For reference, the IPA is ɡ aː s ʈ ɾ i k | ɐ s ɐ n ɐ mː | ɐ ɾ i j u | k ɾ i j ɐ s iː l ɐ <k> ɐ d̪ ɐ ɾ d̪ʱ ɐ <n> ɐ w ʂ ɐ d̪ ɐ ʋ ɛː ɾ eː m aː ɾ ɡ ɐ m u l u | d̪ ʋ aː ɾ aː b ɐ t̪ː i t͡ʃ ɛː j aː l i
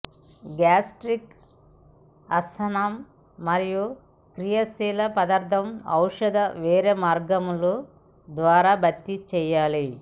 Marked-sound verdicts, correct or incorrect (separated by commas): incorrect, incorrect